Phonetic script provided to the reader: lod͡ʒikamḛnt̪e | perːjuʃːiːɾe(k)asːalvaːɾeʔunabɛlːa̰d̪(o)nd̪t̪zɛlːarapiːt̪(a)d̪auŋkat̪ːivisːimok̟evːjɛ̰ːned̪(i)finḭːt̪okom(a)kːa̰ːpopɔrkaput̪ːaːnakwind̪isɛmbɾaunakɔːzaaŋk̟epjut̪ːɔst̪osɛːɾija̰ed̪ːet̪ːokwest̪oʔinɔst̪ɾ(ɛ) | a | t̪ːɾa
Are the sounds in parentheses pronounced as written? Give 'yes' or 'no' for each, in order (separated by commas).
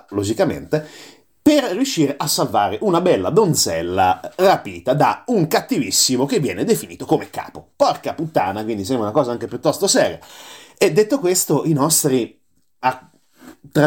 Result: no, yes, yes, no, no, no